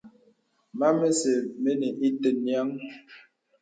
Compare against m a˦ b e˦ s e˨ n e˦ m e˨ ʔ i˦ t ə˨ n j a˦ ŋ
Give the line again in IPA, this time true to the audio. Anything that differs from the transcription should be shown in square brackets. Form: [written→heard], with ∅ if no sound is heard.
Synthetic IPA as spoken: m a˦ [b→m] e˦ s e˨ [n→m] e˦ [m→n] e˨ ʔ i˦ t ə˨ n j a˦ ŋ